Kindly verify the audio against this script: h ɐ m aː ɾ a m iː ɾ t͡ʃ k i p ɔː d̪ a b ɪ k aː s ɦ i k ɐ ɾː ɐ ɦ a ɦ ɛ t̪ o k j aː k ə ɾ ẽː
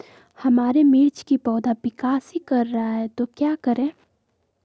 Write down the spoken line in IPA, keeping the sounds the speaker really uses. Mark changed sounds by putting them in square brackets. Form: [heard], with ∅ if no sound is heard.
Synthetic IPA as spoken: h ɐ m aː ɾ [e] m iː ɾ t͡ʃ k i p ɔː d̪ a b ɪ k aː s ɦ i k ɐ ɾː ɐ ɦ a ɦ ɛ t̪ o k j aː k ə ɾ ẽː